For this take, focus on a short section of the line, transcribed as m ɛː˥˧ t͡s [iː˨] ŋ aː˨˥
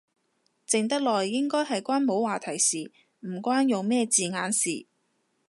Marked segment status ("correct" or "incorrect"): correct